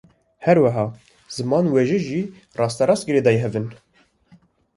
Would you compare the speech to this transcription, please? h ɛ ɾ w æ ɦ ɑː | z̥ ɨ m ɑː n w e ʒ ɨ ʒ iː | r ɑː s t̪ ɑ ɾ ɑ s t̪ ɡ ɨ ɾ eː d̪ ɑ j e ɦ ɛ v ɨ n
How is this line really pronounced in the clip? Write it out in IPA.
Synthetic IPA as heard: h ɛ ɾ w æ ɦ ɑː | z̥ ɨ m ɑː n w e ʒ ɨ ʒ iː | r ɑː s t̪ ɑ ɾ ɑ s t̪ ɡ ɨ ɾ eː d̪ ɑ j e ɦ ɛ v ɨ n